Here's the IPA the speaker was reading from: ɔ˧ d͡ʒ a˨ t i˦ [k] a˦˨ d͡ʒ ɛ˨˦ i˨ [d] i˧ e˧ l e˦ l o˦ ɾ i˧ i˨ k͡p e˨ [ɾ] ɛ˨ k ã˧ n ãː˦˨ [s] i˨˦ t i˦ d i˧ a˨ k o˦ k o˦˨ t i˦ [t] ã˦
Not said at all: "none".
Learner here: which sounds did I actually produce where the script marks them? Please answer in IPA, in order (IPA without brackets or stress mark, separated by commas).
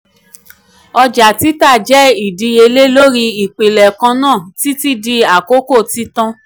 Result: t, d, l, t, t